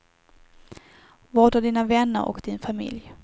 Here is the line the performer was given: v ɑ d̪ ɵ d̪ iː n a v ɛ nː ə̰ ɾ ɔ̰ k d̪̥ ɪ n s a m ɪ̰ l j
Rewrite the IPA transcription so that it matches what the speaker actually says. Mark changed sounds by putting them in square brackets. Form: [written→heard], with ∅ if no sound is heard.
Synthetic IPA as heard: v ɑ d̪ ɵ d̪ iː n a v ɛ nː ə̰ ɾ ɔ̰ k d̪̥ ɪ n [s→f] a m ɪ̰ l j